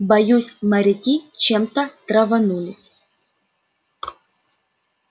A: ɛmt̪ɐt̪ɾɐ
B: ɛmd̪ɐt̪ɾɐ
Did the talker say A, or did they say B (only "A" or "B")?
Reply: A